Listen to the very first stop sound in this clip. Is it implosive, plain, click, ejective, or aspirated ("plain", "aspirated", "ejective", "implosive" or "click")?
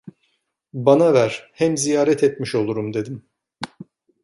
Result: plain